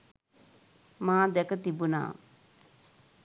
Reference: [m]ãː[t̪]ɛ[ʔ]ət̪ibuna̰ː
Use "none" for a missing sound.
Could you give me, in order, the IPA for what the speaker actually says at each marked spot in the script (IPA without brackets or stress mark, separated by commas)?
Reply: m, d̪, k